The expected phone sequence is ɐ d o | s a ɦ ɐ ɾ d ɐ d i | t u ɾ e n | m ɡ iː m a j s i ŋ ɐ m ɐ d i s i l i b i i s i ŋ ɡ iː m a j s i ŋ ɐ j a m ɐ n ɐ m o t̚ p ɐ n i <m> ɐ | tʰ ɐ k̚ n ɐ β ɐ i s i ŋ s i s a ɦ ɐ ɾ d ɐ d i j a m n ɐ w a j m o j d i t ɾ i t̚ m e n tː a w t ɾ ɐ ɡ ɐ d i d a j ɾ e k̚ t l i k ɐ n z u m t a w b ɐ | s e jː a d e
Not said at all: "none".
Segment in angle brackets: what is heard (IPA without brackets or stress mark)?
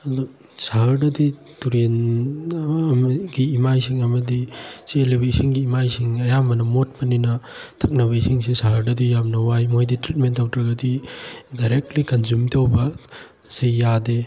n